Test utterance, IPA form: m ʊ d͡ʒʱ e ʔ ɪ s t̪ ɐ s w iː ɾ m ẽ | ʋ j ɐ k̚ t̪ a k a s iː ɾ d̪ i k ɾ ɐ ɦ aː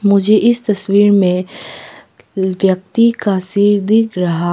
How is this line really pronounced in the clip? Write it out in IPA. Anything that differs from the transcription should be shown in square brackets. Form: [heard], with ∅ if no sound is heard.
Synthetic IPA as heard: m ʊ d͡ʒʱ e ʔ ɪ s t̪ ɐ s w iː ɾ m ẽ | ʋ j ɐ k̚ t̪ [i] k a s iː ɾ d̪ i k ɾ ɐ ɦ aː